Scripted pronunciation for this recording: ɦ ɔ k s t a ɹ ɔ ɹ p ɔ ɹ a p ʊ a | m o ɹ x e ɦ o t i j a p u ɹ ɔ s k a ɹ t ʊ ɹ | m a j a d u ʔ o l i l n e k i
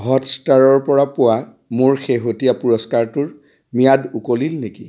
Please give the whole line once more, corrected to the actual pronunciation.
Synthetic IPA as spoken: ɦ ɔ t s t a ɹ ɔ ɹ p ɔ ɹ a p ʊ a | m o ɹ x e ɦ o t i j a p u ɹ ɔ s k a ɹ t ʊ ɹ | m i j a d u k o l i l n e k i